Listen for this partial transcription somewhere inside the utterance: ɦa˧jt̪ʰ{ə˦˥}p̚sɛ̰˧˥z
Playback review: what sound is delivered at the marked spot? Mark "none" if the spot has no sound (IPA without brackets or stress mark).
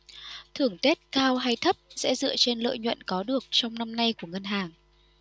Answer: ə˦˥